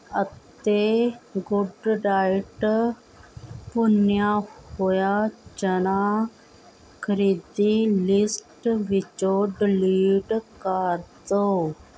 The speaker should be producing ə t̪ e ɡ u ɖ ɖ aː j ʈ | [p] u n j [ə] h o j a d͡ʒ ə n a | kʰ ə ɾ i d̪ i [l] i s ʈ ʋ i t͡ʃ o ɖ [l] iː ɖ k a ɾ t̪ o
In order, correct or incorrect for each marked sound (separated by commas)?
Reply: correct, incorrect, correct, correct